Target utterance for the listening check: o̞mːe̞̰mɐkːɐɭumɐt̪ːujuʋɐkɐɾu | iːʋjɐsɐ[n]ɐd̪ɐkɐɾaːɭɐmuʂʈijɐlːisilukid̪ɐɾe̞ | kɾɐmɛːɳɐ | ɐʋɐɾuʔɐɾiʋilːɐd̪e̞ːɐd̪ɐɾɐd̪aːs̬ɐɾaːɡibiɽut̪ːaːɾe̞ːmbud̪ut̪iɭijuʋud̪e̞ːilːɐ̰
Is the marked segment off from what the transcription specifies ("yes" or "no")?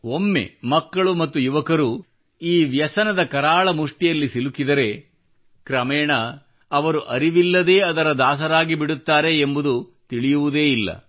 no